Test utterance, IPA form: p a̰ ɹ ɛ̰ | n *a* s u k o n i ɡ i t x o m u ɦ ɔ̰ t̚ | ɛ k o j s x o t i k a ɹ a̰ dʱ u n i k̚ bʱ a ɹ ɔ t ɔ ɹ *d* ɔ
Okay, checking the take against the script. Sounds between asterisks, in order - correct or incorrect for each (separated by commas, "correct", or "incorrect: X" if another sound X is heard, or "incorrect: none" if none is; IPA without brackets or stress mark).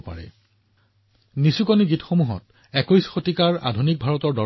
incorrect: i, correct